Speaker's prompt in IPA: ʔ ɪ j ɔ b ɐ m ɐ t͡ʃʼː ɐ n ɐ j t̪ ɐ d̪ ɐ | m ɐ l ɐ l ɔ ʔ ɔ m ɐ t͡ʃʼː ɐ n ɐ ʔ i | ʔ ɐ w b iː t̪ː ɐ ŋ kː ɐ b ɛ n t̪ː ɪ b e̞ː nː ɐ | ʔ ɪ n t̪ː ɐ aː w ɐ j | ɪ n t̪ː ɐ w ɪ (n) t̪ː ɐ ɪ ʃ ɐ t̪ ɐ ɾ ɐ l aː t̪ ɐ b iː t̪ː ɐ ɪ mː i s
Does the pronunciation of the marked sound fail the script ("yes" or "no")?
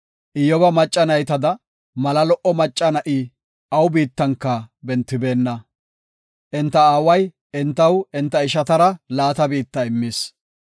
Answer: no